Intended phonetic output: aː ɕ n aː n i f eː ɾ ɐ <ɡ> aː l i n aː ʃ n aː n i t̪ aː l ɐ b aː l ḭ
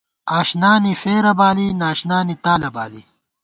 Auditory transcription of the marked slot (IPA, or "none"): b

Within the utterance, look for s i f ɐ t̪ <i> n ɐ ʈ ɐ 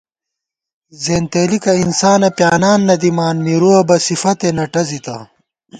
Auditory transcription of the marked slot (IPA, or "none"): e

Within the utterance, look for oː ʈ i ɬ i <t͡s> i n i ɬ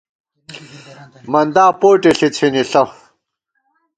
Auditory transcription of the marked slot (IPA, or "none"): t͡sʰ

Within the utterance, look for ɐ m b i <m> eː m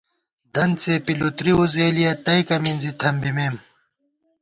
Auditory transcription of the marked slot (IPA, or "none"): m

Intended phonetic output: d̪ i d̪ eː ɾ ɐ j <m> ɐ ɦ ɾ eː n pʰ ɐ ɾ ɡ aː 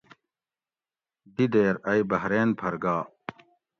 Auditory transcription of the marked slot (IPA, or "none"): b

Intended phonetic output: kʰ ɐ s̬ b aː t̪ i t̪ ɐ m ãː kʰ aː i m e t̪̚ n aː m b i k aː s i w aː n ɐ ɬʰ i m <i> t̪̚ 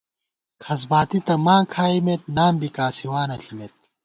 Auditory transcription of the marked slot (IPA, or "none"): e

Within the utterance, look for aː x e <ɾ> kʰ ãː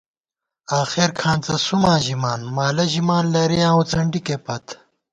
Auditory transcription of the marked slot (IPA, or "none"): ɾ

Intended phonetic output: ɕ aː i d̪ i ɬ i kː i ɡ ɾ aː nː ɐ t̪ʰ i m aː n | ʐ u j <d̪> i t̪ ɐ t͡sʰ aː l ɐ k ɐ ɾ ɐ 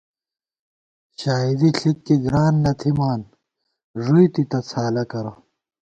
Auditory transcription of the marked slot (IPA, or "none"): t̪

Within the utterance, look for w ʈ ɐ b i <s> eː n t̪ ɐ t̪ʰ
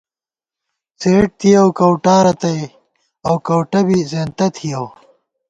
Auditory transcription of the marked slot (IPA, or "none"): z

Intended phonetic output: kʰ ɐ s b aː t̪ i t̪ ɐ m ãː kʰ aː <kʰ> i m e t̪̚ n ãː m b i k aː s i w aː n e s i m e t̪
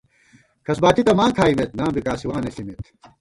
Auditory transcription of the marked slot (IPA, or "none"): none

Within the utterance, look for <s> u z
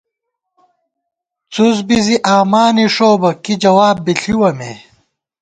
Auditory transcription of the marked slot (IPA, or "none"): t͡s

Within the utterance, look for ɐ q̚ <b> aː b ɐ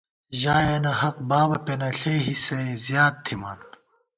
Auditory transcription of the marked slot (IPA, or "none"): b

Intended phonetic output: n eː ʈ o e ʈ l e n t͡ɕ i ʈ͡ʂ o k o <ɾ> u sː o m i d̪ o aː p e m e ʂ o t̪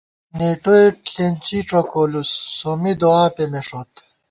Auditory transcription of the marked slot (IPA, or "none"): l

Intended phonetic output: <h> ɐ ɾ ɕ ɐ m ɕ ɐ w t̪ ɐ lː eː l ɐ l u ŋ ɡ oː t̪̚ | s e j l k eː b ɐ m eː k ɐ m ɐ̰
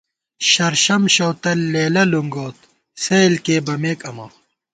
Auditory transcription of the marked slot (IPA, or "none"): ɕ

